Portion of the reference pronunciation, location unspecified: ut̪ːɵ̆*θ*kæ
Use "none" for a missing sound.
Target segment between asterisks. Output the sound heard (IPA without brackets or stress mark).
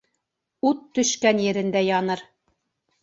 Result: ʃ